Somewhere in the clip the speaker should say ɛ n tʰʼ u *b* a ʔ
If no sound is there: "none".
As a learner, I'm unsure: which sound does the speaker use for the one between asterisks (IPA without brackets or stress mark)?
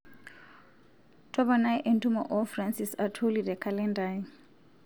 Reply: m